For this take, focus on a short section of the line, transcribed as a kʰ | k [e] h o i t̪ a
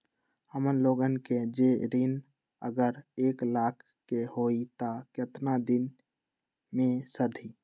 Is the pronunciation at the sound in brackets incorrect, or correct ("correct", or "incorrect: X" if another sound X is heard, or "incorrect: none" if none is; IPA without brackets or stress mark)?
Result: correct